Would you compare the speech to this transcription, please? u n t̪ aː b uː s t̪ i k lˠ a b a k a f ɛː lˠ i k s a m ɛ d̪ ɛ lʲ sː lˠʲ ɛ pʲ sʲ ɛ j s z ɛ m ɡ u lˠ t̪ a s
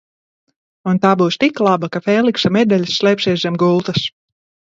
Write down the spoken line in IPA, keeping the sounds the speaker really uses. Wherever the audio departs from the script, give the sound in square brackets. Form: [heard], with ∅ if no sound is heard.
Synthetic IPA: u n t̪ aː b uː s t̪ i k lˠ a b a k a f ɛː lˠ i k s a m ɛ d̪ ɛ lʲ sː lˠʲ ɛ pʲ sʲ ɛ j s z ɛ m ɡ u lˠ t̪ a s